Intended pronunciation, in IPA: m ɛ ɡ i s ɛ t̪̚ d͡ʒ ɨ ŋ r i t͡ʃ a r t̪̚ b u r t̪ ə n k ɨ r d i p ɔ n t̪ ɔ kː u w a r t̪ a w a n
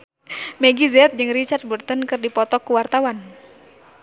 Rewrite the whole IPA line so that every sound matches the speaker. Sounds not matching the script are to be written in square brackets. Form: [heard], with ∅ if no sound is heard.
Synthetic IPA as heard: m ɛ ɡ i [z] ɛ t̪̚ d͡ʒ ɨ ŋ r i t͡ʃ a r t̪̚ b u r t̪ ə n k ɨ r d i p ɔ [∅] t̪ ɔ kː u w a r t̪ a w a n